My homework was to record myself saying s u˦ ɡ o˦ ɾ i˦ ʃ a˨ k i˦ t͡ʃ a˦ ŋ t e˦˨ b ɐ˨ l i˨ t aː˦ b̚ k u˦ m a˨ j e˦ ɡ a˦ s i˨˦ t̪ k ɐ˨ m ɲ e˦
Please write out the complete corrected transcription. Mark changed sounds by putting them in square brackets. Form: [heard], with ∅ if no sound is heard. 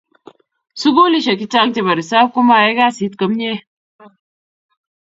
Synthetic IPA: s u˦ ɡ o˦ [l] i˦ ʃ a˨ k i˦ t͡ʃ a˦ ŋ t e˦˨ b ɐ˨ [ɾ] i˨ [s] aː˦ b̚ k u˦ m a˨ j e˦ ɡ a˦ s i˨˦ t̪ k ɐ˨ m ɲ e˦